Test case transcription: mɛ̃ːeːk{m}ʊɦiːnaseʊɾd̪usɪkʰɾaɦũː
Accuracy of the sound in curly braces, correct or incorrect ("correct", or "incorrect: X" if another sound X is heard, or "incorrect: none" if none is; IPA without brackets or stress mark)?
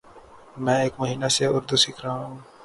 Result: correct